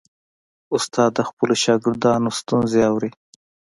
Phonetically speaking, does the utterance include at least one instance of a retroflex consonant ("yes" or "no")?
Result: no